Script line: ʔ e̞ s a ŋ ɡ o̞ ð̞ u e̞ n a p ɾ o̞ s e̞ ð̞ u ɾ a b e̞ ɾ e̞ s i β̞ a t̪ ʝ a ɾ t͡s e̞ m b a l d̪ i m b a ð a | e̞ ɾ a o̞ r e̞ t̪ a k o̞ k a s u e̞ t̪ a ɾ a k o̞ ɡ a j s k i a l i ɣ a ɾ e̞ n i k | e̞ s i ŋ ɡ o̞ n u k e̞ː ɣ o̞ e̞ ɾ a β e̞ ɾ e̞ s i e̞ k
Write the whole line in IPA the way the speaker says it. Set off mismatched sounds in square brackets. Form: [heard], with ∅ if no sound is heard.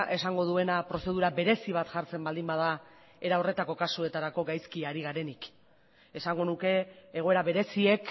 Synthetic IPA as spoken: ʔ e̞ s a ŋ ɡ o̞ ð̞ u e̞ n a p ɾ o̞ s e̞ ð̞ u ɾ a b e̞ ɾ e̞ s i β̞ a t̪ ʝ a ɾ t͡s e̞ m b a l d̪ i m b a ð a | e̞ ɾ a o̞ r e̞ t̪ a k o̞ k a s u e̞ t̪ a ɾ a k o̞ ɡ a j s k i a [ɾ] i ɣ a ɾ e̞ n i k | e̞ s [a] ŋ ɡ o̞ n u k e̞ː ɣ o̞ e̞ ɾ a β e̞ ɾ e̞ s i e̞ k

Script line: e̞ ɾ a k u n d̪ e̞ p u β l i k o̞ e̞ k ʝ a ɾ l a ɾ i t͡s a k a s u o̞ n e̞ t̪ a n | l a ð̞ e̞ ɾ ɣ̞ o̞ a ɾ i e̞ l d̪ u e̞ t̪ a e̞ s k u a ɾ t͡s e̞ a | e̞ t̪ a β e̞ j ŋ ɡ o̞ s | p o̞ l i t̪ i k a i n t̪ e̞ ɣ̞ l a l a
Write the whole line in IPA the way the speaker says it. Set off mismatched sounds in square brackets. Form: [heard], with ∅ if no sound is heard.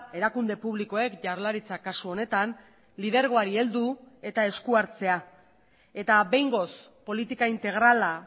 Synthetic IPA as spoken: e̞ ɾ a k u n d̪ e̞ p u β l i k o̞ e̞ k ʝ a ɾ l a ɾ i t͡s a k a s u o̞ n e̞ t̪ a n | l [i] ð̞ e̞ ɾ ɣ̞ o̞ a ɾ i e̞ l d̪ u e̞ t̪ a e̞ s k u a ɾ t͡s e̞ a | e̞ t̪ a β e̞ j ŋ ɡ o̞ s | p o̞ l i t̪ i k a i n t̪ e̞ ɣ̞ [ɾ] a l a

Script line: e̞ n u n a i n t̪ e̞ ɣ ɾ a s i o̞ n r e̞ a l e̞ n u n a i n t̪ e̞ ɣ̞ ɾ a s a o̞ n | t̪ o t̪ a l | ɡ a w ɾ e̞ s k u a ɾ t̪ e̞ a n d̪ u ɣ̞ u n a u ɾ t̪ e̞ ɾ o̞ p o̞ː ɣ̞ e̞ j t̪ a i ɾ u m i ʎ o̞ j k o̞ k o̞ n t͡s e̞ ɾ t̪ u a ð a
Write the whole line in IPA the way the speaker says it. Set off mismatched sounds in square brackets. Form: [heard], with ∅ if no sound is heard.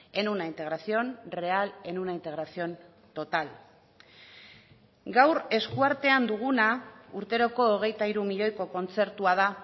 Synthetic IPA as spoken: e̞ n u n a i n t̪ e̞ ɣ ɾ a s i o̞ n r e̞ a l e̞ n u n a i n t̪ e̞ ɣ̞ ɾ a s [i] o̞ n | t̪ o t̪ a l | ɡ a w ɾ e̞ s k u a ɾ t̪ e̞ a n d̪ u ɣ̞ u n a u ɾ t̪ e̞ ɾ o̞ [k] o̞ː ɣ̞ e̞ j t̪ a i ɾ u m i ʎ o̞ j k o̞ k o̞ n t͡s e̞ ɾ t̪ u a ð a

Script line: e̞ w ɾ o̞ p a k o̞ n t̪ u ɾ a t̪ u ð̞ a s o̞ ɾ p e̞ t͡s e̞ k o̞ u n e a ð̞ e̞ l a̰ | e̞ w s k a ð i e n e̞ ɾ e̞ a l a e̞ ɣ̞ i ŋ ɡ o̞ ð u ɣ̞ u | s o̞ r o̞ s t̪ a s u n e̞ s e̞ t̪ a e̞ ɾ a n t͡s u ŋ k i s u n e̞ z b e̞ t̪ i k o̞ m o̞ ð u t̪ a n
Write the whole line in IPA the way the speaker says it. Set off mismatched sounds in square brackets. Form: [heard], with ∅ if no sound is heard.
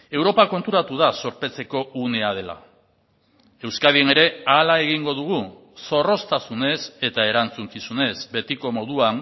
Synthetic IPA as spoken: e̞ w ɾ o̞ p a k o̞ n t̪ u ɾ a t̪ u ð̞ a s o̞ ɾ p e̞ t͡s e̞ k o̞ u n e a ð̞ e̞ l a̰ | e̞ w s k a ð i e n e̞ ɾ e̞ a l a e̞ ɣ̞ i ŋ ɡ o̞ ð u ɣ̞ u | s o̞ r o̞ s t̪ a s u n e̞ s e̞ t̪ a e̞ ɾ a n t͡s u ŋ k i s u n e̞ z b e̞ t̪ i k o̞ m o̞ ð u [∅] a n

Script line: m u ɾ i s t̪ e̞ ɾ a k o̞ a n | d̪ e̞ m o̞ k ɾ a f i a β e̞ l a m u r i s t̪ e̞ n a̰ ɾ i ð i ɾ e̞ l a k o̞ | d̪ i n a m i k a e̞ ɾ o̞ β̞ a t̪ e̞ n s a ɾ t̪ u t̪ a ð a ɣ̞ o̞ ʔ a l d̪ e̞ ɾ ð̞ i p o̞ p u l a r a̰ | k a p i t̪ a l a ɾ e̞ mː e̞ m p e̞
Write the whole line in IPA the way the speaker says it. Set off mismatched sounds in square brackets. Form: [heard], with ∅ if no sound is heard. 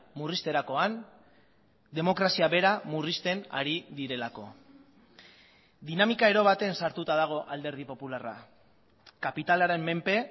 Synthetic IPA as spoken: m u [r] i s t̪ e̞ ɾ a k o̞ a n | d̪ e̞ m o̞ k ɾ a [s] i a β e̞ [ɾ] a m u r i s t̪ e̞ n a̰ ɾ i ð i ɾ e̞ l a k o̞ | d̪ i n a m i k a e̞ ɾ o̞ β̞ a t̪ e̞ n s a ɾ t̪ u t̪ a ð a ɣ̞ o̞ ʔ a l d̪ e̞ ɾ ð̞ i p o̞ p u l a r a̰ | k a p i t̪ a l a ɾ e̞ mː e̞ m p e̞

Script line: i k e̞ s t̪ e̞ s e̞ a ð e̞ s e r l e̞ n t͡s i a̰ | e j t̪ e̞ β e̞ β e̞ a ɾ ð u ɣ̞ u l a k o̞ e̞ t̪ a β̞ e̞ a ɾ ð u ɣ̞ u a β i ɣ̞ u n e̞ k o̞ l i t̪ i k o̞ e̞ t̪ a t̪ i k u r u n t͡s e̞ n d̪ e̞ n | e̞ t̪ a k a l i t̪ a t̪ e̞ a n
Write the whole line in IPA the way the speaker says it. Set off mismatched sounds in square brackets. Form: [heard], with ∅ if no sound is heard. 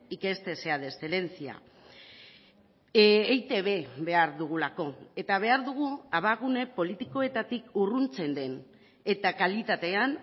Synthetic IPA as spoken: i k e̞ s t̪ e̞ s e̞ a ð e̞ s e [∅] l e̞ n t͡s i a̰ | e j t̪ e̞ β e̞ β e̞ a ɾ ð u ɣ̞ u l a k o̞ e̞ t̪ a β̞ e̞ a ɾ ð u ɣ̞ u a β [a] ɣ̞ u n e̞ [p] o̞ l i t̪ i k o̞ e̞ t̪ a t̪ i k u r u n t͡s e̞ n d̪ e̞ n | e̞ t̪ a k a l i t̪ a t̪ e̞ a n

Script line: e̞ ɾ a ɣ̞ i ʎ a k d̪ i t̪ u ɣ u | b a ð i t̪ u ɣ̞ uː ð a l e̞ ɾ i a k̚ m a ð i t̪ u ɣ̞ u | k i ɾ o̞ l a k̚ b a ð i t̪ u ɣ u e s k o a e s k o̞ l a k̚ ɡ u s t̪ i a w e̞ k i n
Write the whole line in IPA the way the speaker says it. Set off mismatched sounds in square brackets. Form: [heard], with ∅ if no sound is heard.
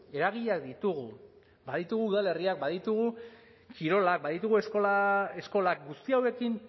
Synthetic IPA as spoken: e̞ ɾ a ɣ̞ i ʎ a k d̪ i t̪ u ɣ u | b a ð i t̪ u ɣ̞ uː ð a l e̞ [r] i a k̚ [b] a ð i t̪ u ɣ̞ u | k i ɾ o̞ l a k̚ b a ð i t̪ u ɣ u e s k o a e s k o̞ l a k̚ ɡ u s t̪ i a w e̞ k i n

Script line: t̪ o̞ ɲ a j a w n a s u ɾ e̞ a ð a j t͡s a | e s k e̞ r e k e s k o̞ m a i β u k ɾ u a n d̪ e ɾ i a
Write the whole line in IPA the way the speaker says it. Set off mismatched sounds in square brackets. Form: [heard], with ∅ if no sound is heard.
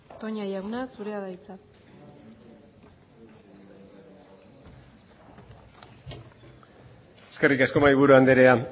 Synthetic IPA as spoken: t̪ o̞ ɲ a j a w n a s u ɾ e̞ a ð a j t͡s a | e s k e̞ r [i] k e s k o̞ m a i β u [∅] ɾ u a n d̪ e ɾ [e] a

